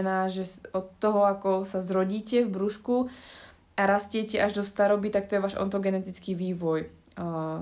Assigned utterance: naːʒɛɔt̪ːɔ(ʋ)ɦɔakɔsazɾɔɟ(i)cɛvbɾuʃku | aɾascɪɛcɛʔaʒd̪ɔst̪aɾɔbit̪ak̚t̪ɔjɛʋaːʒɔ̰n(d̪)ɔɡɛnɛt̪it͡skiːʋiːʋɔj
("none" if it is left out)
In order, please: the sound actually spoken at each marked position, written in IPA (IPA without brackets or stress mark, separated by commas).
none, iː, t̪